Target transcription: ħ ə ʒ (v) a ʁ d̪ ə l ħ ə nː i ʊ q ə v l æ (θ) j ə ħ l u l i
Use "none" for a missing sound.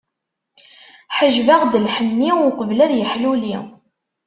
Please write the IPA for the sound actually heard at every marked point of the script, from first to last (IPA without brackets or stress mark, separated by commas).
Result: v, ð